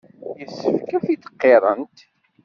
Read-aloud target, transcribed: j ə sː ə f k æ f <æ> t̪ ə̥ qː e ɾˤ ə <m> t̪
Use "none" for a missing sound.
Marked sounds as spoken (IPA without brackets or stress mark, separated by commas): i, n